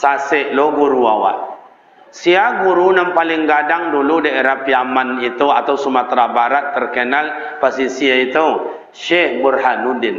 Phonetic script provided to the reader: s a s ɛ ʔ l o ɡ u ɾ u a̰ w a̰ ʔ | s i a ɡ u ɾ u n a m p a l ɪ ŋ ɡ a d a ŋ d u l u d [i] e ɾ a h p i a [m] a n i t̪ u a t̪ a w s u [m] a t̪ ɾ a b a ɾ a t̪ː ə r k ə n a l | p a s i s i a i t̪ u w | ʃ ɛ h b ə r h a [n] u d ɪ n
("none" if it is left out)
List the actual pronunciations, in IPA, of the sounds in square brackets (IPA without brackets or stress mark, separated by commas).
a, m, m, n